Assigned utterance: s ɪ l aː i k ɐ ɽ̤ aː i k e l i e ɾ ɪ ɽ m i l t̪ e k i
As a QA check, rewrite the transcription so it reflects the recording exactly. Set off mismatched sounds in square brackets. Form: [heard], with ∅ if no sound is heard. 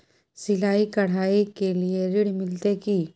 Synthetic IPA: s ɪ l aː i k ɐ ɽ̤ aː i k e l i e ɾ ɪ ɽ m [ɪ] l t̪ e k i